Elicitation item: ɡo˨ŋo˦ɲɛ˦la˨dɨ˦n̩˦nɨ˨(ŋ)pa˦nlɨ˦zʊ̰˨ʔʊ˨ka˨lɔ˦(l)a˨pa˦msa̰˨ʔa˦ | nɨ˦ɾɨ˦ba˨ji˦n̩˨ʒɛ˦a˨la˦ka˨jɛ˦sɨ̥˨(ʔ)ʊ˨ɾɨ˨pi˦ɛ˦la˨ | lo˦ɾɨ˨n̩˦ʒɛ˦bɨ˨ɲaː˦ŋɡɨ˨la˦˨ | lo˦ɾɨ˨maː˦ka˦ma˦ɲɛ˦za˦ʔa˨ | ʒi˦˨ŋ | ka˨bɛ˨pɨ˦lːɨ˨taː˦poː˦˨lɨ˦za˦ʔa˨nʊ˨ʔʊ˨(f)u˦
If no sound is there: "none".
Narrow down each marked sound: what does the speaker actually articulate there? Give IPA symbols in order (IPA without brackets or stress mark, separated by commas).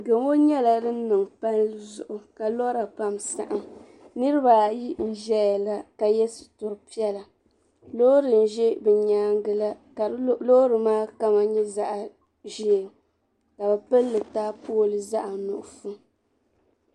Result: ŋ, ɾ, t, f